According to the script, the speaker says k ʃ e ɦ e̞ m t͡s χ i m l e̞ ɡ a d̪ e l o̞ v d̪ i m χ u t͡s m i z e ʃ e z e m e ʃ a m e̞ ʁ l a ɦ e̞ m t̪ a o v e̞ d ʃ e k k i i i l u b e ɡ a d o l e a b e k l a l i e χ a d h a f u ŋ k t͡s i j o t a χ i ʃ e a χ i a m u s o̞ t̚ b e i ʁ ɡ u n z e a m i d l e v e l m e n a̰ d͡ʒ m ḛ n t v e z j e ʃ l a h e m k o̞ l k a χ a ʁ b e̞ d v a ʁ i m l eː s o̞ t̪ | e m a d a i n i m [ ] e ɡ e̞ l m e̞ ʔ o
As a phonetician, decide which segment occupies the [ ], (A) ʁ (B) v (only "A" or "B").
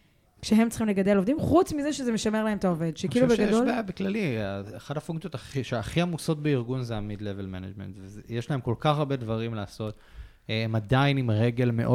A